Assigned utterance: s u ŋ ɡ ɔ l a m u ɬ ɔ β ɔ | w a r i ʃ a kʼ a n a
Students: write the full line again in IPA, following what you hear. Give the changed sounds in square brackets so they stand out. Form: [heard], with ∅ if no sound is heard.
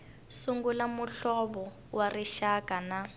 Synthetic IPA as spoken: s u ŋ ɡ [u] l a m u ɬ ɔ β ɔ | w a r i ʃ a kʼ a n a

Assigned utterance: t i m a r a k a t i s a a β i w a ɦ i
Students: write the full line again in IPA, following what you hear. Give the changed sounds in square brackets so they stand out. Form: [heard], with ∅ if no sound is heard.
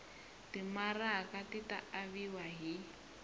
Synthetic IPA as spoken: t i m a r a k a t i [t] a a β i w a ɦ i

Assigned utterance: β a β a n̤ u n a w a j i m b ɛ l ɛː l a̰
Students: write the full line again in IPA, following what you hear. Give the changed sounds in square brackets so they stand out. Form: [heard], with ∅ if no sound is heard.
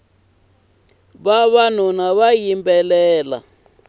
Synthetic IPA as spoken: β a β a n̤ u n a [β] a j i m b ɛ l ɛː l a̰

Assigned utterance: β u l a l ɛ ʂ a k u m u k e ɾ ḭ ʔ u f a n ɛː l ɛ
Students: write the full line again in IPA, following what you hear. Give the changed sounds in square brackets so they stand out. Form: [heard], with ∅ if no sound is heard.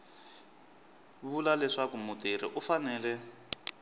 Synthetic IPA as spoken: β u l a l ɛ ʂ a k u m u [t] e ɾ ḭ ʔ u f a n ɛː l ɛ

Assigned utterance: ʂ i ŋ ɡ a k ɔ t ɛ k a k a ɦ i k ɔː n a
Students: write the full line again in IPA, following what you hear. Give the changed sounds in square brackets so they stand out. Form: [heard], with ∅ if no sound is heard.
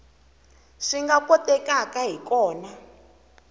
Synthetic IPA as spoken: ʂ i ŋ ɡ a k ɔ t ɛ k a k a ɦ i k ɔː n a

